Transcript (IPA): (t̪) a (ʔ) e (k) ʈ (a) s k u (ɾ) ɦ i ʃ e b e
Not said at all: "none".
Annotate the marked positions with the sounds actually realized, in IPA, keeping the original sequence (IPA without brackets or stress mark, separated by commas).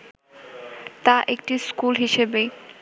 t̪, ʔ, k, i, l